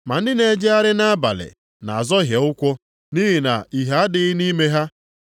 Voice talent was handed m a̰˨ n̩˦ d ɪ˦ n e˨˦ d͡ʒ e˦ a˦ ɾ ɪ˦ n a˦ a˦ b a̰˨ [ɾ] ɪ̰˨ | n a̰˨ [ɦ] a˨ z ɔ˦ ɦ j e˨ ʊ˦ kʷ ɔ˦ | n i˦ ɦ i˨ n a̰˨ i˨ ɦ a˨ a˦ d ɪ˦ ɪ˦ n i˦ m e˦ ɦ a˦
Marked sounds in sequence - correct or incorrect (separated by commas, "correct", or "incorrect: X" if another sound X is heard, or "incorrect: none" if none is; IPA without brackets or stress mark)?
incorrect: l, incorrect: none